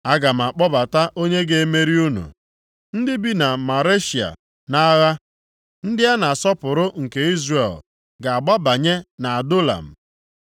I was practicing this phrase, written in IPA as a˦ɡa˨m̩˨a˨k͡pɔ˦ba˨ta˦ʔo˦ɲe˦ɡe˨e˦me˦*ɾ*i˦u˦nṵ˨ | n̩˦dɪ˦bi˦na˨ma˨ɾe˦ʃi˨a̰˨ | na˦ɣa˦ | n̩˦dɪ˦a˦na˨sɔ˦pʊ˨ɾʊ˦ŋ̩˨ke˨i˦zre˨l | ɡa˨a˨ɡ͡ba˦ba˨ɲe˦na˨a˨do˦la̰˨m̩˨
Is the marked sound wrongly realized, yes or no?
no